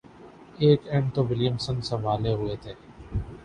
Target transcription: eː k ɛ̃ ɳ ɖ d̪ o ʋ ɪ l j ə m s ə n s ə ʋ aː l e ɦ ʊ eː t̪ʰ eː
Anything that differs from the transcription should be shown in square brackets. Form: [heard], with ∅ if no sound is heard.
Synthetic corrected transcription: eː k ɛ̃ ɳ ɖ [t̪] o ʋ ɪ l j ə m s ə n s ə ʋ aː l e ɦ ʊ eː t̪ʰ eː